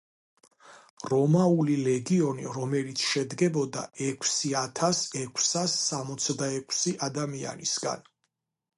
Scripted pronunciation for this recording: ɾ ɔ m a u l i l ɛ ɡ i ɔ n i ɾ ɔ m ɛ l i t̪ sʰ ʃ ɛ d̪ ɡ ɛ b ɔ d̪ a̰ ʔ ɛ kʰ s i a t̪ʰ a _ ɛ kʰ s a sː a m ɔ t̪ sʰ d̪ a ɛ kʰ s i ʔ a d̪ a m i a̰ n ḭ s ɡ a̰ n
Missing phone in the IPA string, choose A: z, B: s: B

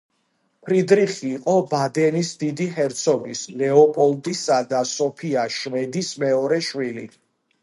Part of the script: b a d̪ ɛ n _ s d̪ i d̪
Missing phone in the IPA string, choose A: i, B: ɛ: A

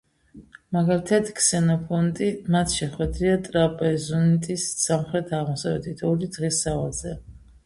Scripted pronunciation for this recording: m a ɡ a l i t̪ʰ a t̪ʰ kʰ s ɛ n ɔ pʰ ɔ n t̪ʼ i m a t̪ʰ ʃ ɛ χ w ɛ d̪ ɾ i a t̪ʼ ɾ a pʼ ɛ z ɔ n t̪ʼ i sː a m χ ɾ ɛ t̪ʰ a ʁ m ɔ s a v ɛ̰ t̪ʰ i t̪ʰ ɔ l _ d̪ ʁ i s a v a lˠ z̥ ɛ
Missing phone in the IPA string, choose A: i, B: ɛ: A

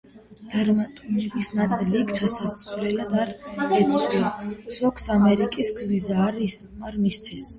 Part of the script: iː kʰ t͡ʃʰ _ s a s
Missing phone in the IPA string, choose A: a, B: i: A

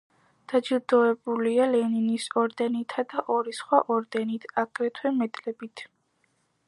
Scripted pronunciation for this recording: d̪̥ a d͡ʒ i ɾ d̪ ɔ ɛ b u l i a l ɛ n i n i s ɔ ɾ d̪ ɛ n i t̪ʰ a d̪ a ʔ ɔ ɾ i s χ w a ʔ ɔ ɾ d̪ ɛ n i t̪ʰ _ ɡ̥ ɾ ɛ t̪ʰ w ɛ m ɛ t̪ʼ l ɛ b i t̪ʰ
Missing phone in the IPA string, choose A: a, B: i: A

